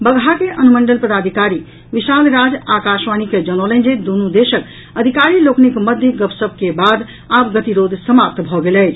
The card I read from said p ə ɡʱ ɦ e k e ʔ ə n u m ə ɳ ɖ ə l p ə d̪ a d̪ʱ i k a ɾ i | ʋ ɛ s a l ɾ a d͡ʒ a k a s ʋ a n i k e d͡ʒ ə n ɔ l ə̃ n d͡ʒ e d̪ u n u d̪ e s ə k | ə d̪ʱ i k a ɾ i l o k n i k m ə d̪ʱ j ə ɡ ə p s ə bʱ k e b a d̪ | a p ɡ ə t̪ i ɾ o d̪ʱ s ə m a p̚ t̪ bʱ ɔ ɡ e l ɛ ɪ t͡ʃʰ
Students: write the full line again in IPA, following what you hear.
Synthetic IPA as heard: b ə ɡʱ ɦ a k e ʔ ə n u m ə ɳ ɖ ə l p ə d̪ a d̪ʱ i k a ɾ i | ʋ i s a l ɾ a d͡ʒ a k a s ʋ a n i k e d͡ʒ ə n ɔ l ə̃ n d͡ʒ e d̪ u n u d̪ e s ə k | ə d̪ʱ i k a ɾ i l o k n i k m ə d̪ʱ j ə ɡ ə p s ə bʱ k e b a d̪ | a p ɡ ə t̪ i ɾ o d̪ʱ s ə m a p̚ t̪ bʱ ɔ ɡ e l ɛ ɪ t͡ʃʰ

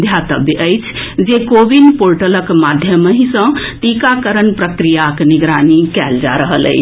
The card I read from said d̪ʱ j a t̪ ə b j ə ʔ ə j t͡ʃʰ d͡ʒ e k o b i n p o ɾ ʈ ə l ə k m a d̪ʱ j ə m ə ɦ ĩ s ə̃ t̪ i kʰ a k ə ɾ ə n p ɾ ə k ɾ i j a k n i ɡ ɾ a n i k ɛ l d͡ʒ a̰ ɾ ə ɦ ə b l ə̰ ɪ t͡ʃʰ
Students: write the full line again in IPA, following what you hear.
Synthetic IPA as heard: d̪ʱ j a t̪ ə b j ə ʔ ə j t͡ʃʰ d͡ʒ e k o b i n p o ɾ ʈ ə l ə k m a d̪ʱ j ə m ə ɦ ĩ s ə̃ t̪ i k a k ə ɾ ə n p ɾ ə k ɾ i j a k n i ɡ ɾ a n i k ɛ l d͡ʒ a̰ ɾ ə ɦ ə l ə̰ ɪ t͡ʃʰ

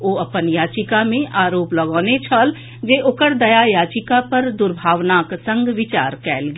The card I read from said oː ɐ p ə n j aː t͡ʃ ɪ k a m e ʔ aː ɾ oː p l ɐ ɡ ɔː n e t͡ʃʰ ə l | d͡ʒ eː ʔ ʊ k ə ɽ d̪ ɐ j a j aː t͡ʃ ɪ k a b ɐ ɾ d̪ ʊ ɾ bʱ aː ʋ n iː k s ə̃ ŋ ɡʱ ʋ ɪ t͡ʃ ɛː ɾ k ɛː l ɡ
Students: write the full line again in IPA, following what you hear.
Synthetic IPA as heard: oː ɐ p ə n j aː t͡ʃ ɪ k a m ẽ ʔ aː ɾ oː p l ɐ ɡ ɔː n e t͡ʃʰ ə l | d͡ʒ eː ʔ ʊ k ə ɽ d̪ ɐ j a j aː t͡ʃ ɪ k a p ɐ ɾ d̪ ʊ ɾ bʱ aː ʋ n aː k s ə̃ ŋ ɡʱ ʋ ɪ t͡ʃ aː ɾ k ɛː l ɡ

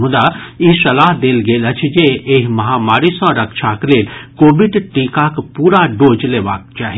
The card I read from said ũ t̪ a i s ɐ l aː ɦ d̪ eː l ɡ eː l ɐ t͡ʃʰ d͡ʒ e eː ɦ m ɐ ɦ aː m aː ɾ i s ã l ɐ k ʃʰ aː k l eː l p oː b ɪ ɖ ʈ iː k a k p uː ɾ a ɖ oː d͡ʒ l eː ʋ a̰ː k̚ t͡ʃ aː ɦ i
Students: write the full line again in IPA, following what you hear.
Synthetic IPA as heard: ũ d̪ a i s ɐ l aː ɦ d̪ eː l ɡ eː l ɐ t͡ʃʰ d͡ʒ e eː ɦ m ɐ ɦ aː m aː ɾ i s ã ɾ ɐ k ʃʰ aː k l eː l k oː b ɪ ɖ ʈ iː k a k p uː ɾ a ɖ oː d͡ʒ l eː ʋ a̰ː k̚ t͡ʃ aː ɦ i

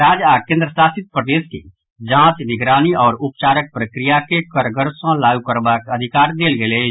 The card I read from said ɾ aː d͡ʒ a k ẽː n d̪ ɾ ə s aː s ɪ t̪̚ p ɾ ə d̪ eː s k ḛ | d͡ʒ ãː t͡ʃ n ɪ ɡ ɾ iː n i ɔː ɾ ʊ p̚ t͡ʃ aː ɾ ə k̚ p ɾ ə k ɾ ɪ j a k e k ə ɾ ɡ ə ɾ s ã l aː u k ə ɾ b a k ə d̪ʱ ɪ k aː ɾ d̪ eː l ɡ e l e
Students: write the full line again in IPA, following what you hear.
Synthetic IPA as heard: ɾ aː d͡ʒ a k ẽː n d̪ ɾ ə s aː s ɪ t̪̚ p ɾ ə d̪ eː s k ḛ | d͡ʒ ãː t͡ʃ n ɪ ɡ ɾ aː n i ɔː ɾ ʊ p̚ t͡ʃ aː ɾ ə k̚ p ɾ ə k ɾ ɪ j a k e k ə ɾ ɡ ə ɾ s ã l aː u k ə ɾ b a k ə d̪ʱ ɪ k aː ɾ d̪ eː l ɡ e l e

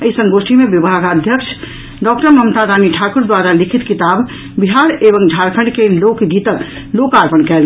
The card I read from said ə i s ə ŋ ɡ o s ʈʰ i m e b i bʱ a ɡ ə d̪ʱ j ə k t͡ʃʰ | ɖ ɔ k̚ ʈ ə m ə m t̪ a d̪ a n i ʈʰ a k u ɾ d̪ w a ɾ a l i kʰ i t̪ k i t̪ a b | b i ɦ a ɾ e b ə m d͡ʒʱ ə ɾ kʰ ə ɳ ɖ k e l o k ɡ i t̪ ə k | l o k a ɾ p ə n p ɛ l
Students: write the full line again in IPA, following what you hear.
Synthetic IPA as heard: ə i s ə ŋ ɡ o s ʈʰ i m e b i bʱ a ɡ ə d̪ʱ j ə k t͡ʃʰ | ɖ ɔ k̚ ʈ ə m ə m t̪ a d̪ a n i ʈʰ a k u ɾ d̪ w a ɾ a l i kʰ i t̪ k i t̪ a b | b i ɦ a ɾ e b ə ŋ d͡ʒʱ a ɾ kʰ ə ɳ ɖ k e l o k ɡ i t̪ ə k | l o k a ɾ p ə n k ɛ l

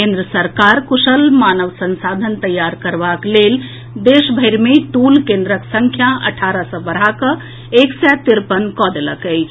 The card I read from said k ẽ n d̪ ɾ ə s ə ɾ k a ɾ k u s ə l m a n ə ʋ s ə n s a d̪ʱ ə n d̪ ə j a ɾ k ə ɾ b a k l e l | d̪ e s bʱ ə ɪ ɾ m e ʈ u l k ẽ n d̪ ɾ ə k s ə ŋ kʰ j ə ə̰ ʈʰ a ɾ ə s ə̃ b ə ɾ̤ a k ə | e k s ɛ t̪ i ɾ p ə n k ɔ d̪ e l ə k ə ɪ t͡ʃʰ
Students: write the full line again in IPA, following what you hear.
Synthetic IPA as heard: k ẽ n d̪ ɾ ə s ə ɾ k a ɾ k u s ə l m a n ə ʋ s ə n s a d̪ʱ ə n t̪ ə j a ɾ k ə ɾ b a k l e l | d̪ e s bʱ ə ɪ ɾ m e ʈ u l k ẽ n d̪ ɾ ə k s ə ŋ kʰ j a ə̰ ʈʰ a ɾ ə s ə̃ b ə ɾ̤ a k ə | e k s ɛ t̪ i ɾ p ə n k ɔ d̪ e l ə k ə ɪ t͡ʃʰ

